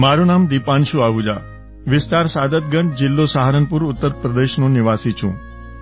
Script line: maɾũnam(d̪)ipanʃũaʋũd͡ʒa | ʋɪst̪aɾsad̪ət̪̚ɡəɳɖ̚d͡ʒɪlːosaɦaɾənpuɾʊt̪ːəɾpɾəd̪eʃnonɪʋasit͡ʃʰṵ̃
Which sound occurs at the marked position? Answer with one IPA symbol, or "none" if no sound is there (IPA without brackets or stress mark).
d̪